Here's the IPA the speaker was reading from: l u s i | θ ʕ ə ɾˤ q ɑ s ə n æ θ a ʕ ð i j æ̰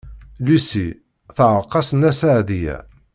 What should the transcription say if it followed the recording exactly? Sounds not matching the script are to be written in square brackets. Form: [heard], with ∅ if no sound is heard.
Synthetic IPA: l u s i | θ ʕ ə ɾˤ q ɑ s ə n æ [s] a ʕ ð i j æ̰